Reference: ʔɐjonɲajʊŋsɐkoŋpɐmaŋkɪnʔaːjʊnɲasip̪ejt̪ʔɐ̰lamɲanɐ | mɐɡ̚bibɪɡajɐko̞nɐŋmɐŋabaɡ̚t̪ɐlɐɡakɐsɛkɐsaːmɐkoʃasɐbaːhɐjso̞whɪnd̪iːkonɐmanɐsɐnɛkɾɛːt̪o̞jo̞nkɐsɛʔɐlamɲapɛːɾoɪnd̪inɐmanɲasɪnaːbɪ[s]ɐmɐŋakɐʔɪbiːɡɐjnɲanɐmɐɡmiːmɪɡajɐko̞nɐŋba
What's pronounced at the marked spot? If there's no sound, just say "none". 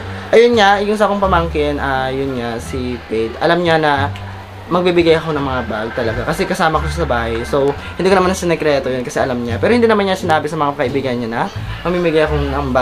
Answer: s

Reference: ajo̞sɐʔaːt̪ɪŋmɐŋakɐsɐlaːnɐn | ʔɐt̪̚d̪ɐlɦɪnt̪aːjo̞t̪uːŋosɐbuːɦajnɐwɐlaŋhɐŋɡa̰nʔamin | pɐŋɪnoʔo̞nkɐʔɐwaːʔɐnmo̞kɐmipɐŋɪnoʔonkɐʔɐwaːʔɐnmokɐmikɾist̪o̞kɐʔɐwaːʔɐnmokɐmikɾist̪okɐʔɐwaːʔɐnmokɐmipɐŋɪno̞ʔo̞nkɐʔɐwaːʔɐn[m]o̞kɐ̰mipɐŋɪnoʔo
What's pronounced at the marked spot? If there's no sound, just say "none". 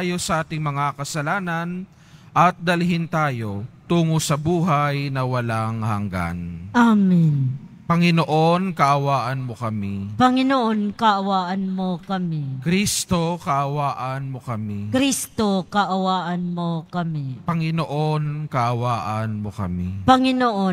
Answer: m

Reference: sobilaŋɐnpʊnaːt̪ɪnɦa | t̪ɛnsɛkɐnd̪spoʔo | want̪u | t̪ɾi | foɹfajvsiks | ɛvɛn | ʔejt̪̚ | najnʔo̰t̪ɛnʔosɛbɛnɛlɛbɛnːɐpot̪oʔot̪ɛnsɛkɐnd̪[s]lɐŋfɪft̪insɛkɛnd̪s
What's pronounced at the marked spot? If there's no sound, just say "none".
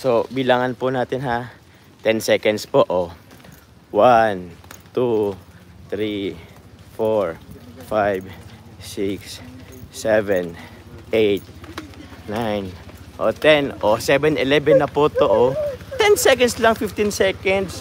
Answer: s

